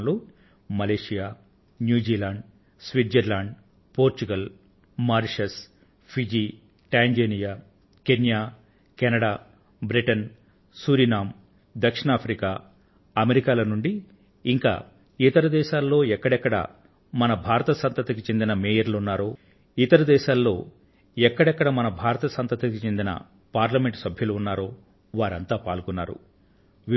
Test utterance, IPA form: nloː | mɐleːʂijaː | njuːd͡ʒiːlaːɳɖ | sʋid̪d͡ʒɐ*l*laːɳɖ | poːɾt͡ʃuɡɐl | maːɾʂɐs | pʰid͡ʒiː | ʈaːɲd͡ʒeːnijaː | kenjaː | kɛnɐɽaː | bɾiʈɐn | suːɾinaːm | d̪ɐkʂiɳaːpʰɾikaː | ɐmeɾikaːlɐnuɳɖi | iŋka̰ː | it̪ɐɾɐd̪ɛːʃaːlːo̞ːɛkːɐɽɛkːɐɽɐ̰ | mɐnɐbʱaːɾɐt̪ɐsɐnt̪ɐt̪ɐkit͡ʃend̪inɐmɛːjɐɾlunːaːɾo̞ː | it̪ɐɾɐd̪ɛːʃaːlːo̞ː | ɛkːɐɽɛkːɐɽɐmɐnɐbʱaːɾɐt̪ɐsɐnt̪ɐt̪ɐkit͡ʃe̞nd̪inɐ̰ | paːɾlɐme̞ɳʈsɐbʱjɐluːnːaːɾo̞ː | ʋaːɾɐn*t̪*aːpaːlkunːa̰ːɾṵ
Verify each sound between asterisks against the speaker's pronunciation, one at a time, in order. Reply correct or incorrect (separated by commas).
incorrect, correct